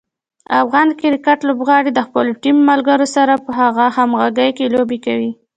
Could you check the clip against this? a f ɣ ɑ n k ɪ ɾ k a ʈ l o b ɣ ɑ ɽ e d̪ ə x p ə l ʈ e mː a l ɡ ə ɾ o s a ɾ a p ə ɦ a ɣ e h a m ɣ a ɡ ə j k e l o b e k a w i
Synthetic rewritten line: a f ɣ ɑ n k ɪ ɾ k a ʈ l o b ɣ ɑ ɽ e d̪ ə x p ə l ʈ i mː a l ɡ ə ɾ o s a ɾ a p ə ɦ a ɣ a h a m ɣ a ɡ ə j k e l o b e k a w i